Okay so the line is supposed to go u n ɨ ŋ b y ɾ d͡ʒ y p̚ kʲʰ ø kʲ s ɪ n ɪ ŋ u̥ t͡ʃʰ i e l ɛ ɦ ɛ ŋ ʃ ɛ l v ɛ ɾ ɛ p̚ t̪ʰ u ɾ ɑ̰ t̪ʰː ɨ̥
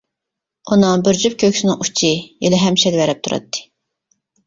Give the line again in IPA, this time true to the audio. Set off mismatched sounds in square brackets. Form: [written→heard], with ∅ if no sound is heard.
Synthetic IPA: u n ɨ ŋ b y ɾ d͡ʒ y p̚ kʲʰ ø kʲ s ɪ n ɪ ŋ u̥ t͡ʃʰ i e l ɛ ɦ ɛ [ŋ→m] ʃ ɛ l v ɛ ɾ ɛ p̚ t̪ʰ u ɾ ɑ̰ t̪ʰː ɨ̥